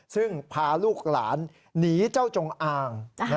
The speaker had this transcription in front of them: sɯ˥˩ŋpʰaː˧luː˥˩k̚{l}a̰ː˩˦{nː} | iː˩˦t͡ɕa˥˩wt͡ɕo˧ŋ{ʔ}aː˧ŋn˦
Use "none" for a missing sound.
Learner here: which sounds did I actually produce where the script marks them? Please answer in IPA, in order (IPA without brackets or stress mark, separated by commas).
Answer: l, nː, ʔ